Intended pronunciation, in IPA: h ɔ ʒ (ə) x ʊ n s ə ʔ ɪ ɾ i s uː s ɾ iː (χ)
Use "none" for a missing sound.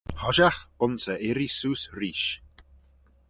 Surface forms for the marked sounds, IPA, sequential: a, ʃ

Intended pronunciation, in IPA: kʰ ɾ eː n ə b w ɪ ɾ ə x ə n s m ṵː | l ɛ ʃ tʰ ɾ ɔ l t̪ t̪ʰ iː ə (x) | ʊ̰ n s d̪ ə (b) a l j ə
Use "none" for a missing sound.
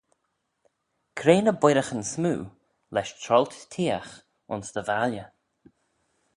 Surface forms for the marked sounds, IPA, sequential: x, v

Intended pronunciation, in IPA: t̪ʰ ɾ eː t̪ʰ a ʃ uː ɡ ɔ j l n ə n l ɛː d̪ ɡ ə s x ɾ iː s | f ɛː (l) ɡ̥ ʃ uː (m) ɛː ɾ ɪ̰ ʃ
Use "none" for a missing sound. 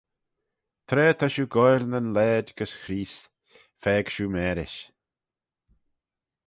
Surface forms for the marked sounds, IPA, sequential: none, m

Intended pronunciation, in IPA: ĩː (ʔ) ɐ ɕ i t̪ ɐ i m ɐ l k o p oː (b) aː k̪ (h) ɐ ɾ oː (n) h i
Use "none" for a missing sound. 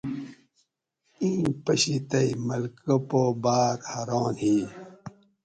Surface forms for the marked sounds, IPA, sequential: p, b, h, n

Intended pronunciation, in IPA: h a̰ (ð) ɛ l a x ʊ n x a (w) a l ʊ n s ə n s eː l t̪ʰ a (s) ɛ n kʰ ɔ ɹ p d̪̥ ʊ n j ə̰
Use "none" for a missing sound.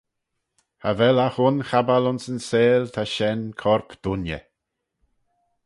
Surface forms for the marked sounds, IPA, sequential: v, b, ʃ

